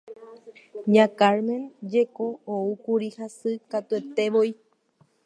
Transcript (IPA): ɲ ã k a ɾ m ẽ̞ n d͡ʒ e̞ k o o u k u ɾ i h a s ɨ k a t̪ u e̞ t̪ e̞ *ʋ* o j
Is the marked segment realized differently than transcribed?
no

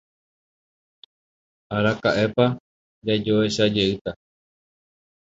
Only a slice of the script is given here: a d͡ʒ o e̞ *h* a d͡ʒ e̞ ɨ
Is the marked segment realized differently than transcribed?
yes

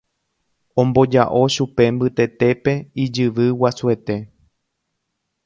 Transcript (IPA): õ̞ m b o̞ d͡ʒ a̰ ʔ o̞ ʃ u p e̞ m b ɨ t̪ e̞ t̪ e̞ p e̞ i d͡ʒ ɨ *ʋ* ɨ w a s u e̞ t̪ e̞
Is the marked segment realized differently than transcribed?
no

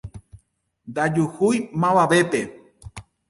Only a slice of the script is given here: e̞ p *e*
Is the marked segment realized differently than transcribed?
no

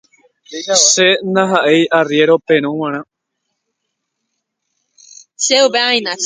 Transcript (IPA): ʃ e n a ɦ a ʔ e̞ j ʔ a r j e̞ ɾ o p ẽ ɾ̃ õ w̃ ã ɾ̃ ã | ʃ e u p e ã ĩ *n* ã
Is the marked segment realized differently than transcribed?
no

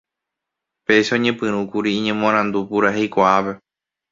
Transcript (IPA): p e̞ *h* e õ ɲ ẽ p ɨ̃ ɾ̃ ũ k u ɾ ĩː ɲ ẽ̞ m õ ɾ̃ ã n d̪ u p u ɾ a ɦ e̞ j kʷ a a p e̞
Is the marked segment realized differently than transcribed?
yes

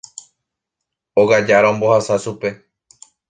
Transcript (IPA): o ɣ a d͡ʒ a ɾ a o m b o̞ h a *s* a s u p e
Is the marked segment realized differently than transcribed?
no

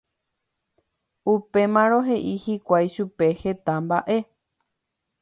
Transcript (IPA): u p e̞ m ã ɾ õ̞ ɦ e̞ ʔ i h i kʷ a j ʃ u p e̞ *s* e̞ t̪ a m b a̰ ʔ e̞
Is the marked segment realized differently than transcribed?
yes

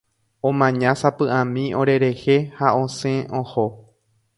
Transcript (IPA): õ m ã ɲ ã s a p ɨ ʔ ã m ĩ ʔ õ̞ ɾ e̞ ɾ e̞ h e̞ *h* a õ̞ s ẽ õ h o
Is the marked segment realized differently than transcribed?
no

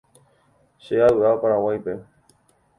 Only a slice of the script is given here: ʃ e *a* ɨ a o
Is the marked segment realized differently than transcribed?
no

